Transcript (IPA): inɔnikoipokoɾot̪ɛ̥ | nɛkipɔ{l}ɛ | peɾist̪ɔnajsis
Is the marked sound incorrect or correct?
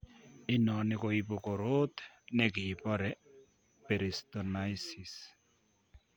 incorrect